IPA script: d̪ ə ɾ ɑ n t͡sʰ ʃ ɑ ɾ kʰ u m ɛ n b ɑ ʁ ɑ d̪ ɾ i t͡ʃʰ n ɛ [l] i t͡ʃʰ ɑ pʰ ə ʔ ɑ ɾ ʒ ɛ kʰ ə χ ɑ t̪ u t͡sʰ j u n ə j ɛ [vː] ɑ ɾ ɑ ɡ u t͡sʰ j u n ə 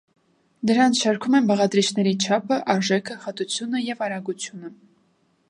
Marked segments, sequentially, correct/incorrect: incorrect, incorrect

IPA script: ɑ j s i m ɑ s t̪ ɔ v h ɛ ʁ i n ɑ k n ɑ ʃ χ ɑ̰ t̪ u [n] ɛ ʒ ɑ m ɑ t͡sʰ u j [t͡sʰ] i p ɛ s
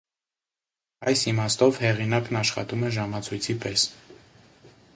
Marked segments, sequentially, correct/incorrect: incorrect, correct

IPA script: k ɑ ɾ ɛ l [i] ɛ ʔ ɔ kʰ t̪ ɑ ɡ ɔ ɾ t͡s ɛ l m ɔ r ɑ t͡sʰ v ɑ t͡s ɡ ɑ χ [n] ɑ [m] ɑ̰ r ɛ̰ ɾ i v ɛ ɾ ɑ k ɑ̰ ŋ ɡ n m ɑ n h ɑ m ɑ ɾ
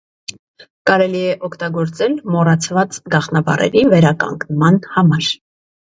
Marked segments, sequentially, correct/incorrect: correct, correct, incorrect

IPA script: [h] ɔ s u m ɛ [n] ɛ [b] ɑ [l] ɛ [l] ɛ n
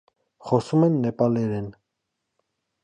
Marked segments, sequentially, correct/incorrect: incorrect, incorrect, incorrect, correct, incorrect

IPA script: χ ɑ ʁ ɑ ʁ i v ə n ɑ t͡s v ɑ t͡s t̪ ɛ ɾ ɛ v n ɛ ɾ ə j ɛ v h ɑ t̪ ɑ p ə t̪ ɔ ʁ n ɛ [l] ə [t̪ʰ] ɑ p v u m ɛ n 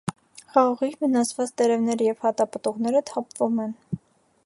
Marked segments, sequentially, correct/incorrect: incorrect, correct

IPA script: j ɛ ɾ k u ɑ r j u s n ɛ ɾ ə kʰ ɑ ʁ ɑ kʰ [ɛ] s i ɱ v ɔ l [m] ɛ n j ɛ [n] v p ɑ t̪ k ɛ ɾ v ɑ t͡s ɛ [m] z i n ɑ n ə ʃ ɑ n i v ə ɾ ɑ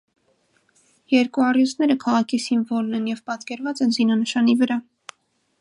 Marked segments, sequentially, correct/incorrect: incorrect, incorrect, incorrect, incorrect

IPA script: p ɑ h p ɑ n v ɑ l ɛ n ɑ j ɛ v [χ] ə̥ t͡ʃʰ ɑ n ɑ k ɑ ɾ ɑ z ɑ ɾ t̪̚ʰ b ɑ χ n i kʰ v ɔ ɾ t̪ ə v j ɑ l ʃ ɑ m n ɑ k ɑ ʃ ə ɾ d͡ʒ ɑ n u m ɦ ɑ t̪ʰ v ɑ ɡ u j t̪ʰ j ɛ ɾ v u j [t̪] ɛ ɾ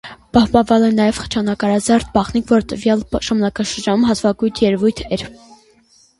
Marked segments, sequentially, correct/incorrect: correct, incorrect

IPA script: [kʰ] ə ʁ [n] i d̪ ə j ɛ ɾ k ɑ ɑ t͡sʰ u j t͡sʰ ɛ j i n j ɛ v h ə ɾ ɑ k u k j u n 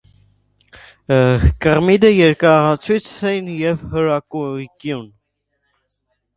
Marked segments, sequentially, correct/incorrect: incorrect, incorrect

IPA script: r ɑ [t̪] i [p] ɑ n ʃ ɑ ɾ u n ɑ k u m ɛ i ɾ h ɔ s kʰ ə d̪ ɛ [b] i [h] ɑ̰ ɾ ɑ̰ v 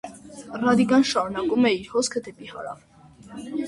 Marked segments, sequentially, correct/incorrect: incorrect, incorrect, incorrect, correct

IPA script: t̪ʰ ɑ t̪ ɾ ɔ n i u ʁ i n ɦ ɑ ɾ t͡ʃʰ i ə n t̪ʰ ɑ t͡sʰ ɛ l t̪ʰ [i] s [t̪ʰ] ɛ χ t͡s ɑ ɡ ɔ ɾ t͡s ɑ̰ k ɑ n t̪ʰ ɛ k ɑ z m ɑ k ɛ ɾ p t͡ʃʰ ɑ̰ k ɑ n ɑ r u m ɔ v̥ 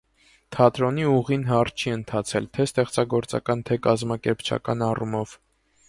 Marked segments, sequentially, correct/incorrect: incorrect, incorrect

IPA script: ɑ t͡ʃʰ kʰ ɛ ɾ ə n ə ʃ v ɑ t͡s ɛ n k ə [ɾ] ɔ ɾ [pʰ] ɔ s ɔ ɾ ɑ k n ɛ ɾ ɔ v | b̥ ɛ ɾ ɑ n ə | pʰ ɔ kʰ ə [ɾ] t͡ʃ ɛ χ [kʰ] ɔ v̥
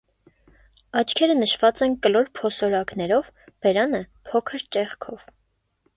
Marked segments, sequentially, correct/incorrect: incorrect, correct, correct, correct

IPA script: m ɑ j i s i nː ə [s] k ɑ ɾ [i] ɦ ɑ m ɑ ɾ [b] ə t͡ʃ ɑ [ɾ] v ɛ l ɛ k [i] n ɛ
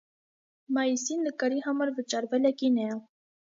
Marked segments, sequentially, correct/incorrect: incorrect, correct, incorrect, correct, correct

